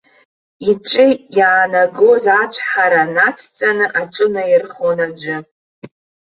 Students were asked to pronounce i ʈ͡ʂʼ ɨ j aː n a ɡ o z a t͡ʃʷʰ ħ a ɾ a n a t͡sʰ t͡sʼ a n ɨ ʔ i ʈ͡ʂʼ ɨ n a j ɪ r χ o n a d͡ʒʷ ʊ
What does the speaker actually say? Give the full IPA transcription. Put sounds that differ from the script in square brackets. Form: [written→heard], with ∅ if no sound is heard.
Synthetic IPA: i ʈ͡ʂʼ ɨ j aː n a ɡ o z a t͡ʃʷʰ ħ a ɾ a n a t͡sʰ t͡sʼ a n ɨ ʔ [i→a] ʈ͡ʂʼ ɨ n a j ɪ r χ o n a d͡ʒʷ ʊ